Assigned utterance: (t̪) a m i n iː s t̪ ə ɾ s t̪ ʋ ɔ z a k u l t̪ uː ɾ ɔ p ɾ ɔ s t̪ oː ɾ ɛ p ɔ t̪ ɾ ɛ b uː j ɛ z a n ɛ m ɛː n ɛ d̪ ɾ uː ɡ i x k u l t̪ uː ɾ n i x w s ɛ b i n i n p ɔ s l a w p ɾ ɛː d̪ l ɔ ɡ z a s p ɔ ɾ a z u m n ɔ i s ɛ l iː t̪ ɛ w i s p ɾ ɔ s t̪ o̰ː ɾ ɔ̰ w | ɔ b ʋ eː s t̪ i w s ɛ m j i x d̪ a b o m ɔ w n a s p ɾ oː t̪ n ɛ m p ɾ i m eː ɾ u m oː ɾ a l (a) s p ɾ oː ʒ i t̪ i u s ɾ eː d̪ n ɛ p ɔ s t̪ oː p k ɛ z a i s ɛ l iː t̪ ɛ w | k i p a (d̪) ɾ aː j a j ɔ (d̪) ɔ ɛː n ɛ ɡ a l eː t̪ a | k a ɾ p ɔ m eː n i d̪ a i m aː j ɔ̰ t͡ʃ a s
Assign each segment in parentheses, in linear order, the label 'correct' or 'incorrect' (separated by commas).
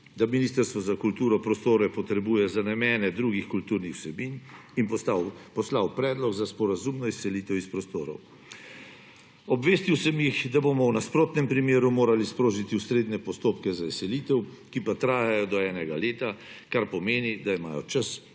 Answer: incorrect, incorrect, incorrect, correct